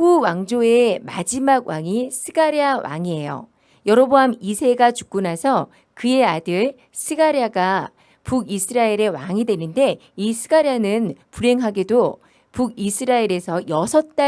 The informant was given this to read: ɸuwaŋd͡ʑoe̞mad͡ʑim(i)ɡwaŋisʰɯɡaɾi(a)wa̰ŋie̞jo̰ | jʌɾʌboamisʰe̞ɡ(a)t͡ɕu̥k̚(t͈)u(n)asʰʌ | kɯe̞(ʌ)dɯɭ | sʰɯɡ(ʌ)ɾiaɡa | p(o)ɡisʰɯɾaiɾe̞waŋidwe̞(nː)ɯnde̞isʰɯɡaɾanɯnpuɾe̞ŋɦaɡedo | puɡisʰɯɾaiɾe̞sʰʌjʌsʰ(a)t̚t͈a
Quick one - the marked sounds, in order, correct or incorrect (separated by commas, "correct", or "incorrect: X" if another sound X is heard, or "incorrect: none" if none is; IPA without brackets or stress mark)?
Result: incorrect: a, correct, correct, incorrect: k͈, correct, incorrect: a, incorrect: a, incorrect: u, incorrect: n, incorrect: ʌ